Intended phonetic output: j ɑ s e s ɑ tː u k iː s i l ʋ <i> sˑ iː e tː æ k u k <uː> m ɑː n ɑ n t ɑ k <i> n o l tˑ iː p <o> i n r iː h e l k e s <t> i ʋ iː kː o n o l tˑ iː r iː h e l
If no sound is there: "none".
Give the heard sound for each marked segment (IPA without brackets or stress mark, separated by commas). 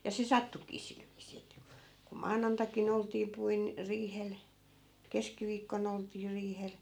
iː, u, i, u, k